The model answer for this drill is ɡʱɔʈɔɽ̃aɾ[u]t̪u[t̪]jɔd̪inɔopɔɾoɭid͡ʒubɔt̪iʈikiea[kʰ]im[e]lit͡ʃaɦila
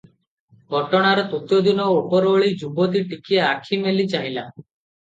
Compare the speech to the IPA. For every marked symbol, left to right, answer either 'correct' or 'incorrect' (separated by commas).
incorrect, correct, correct, correct